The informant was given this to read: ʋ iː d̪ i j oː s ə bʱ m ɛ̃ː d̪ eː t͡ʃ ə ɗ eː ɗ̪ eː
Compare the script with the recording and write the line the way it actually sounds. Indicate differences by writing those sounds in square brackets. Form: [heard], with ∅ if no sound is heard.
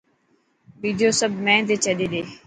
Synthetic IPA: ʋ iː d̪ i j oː s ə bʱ m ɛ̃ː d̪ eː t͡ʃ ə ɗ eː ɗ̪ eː